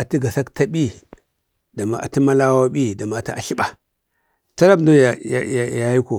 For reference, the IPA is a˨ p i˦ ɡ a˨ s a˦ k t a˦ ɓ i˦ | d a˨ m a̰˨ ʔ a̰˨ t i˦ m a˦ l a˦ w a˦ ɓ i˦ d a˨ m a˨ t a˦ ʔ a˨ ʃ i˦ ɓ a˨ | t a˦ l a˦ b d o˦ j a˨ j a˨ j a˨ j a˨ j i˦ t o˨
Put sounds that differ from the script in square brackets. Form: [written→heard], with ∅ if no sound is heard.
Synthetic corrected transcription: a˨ [p→t] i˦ ɡ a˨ s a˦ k t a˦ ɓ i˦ | d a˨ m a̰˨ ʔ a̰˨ t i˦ m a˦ l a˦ w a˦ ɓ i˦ d a˨ m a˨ t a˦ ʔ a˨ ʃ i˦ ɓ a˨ | t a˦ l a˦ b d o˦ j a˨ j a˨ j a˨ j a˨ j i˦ [t→k] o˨